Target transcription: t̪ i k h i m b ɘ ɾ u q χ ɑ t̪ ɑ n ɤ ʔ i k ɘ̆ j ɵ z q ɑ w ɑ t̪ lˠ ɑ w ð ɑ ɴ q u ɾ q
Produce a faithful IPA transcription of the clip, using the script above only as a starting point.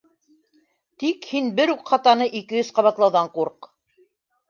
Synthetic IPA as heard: t̪ i k h i n b ɘ ɾ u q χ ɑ t̪ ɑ n ɤ ʔ i k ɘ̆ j ɵ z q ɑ β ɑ t̪ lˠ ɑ w ð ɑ ɴ q u ɾ q